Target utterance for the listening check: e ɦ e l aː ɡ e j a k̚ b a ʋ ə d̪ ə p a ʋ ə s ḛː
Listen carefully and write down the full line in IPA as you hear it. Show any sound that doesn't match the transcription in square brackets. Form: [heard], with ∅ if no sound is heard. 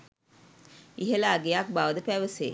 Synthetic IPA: [i] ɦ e l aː ɡ e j a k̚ b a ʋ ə d̪ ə p [æ] ʋ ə s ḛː